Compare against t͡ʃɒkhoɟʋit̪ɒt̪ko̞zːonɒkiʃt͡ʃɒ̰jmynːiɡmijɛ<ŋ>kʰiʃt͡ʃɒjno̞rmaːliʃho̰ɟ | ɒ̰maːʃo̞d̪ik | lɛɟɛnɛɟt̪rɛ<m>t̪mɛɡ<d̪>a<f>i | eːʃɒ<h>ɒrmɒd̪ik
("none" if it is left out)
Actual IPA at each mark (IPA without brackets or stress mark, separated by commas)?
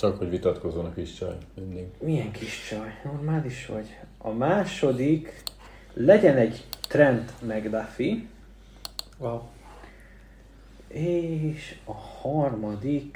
ŋ, n, d̪, f, h